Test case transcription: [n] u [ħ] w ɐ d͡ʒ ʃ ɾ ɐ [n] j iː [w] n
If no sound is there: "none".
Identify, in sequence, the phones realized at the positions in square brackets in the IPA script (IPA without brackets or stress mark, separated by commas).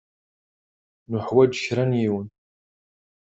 n, ħ, n, w